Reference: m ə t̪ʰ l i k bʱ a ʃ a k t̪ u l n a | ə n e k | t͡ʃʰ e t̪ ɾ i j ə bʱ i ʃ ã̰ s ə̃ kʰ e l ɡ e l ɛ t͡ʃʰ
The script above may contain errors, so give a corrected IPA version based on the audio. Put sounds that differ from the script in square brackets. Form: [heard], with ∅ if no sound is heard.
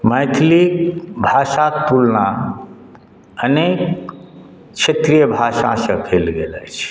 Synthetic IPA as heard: m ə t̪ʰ l i k bʱ a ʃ a k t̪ u l n a | ə n e k | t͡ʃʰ e t̪ ɾ i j ə bʱ [a] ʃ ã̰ s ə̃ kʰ e l ɡ e l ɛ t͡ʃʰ